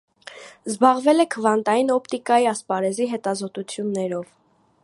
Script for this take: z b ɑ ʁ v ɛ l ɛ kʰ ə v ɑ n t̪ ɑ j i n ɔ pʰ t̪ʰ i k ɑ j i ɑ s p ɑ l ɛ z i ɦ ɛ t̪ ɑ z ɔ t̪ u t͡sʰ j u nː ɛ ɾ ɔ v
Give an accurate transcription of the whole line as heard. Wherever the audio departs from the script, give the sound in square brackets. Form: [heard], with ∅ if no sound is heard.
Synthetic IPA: z b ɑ ʁ v ɛ l ɛ kʰ ə v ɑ n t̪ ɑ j i n ɔ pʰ [t̪] i k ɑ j i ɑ s p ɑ [ɾ] ɛ z i ɦ ɛ t̪ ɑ z ɔ t̪ u t͡sʰ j u nː ɛ ɾ ɔ v